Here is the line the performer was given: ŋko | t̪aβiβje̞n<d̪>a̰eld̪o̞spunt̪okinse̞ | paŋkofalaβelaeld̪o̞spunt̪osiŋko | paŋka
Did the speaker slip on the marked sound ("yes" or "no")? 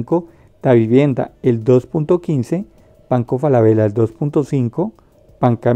no